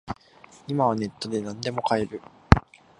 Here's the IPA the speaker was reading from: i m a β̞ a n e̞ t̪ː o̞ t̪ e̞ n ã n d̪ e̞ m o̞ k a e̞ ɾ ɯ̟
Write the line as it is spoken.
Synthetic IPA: i m a β̞ a n e̞ t̪ː o̞ d̪ e̞ n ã n d̪ e̞ m o̞ k a e̞ ɾ ɯ̟